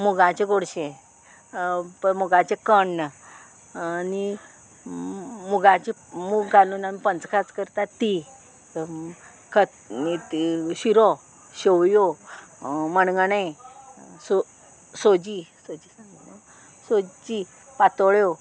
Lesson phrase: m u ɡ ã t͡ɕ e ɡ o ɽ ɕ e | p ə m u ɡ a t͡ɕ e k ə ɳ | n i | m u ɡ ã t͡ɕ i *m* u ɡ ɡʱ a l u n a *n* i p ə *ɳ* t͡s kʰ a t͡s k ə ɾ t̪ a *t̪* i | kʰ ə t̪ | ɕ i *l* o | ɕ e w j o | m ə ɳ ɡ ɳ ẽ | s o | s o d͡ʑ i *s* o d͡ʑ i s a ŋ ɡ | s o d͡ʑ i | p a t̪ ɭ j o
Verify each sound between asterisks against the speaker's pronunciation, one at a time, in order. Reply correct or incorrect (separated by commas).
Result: correct, incorrect, incorrect, correct, incorrect, correct